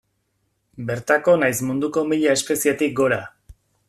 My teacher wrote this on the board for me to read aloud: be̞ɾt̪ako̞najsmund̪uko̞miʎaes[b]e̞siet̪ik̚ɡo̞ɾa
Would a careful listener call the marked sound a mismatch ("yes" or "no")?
yes